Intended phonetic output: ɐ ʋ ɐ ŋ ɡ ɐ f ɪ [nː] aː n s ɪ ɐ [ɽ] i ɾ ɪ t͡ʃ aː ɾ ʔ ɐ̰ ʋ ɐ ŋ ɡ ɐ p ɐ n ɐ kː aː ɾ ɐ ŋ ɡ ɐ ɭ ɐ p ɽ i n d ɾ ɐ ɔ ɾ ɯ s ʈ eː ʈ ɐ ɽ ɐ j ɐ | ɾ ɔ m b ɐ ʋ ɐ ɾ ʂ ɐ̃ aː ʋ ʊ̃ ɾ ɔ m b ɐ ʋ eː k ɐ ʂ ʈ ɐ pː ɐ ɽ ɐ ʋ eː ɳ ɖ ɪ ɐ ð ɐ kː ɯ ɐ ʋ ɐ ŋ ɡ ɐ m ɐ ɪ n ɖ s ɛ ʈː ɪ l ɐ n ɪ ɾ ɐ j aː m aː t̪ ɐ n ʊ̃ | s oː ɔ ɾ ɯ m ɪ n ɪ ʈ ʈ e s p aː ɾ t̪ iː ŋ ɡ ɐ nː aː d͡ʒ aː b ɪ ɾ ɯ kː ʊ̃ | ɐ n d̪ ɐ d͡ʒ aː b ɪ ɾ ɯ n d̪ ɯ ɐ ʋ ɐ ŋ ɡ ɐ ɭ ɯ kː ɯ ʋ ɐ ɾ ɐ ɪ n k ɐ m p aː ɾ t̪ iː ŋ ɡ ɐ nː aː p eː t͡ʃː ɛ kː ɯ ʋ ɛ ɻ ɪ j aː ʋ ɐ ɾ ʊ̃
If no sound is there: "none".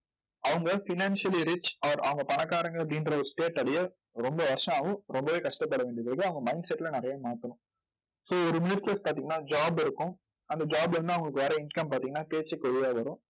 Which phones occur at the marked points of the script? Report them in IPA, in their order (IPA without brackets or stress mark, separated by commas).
n, l